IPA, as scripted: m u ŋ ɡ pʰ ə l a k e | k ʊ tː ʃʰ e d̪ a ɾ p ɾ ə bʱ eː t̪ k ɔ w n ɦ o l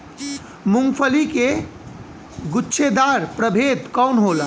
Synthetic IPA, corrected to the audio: m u ŋ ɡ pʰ ə l i k e | ɡ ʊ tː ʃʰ e d̪ a ɾ p ɾ ə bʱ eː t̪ k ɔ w n ɦ o l